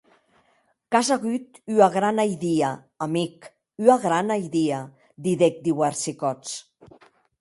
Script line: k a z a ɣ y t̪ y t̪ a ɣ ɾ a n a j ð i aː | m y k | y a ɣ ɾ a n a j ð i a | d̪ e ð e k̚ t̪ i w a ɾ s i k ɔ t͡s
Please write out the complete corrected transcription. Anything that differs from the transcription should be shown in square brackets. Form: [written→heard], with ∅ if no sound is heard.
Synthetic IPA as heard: k a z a ɣ y t̪ y [t̪→∅] a ɣ ɾ a n a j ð i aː | m [y→i] k | y a ɣ ɾ a n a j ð i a | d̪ [e→i] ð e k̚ [t̪→d̪] i w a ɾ s i k ɔ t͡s